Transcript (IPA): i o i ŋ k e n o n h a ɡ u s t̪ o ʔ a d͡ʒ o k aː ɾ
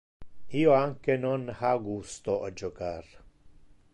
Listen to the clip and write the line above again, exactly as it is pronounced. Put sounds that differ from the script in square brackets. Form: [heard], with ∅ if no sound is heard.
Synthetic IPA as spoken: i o [a] ŋ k e n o n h a ɡ u s t̪ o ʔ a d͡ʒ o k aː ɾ